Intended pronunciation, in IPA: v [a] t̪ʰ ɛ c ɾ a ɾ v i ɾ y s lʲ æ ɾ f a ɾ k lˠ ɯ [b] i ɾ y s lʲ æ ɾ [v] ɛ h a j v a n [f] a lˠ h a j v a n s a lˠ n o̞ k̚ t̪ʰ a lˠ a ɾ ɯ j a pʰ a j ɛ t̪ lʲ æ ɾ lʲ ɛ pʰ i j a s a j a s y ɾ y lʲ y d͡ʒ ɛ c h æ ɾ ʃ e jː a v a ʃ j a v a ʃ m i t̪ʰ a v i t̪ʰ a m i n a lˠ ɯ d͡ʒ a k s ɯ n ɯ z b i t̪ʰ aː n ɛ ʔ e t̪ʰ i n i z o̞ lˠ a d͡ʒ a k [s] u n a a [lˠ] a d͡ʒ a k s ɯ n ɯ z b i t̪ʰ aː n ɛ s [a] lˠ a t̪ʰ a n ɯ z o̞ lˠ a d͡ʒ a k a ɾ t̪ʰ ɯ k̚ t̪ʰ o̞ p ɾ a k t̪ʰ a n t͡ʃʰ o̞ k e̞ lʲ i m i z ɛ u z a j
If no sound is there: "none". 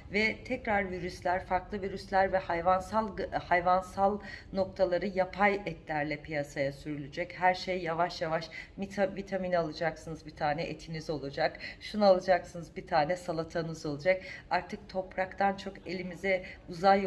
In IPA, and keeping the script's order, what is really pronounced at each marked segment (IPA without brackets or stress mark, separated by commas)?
ɛ, v, v, s, ʃ, lˠ, a